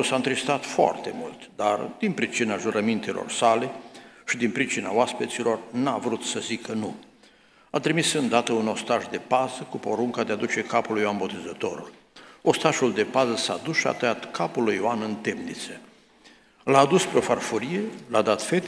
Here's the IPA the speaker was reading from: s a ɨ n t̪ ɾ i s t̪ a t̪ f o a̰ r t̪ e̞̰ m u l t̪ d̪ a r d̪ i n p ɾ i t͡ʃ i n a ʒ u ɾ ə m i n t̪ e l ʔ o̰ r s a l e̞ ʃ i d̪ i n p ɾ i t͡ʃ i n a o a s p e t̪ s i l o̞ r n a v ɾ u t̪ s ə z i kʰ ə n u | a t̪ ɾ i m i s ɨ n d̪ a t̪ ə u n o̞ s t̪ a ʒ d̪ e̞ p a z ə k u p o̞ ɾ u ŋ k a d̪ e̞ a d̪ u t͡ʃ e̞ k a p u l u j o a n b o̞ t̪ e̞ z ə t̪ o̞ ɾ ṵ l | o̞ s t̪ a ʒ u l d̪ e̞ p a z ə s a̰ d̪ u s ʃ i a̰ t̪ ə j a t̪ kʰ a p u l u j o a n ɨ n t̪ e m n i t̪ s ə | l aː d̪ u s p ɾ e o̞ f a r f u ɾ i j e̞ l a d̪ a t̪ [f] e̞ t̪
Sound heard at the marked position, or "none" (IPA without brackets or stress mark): f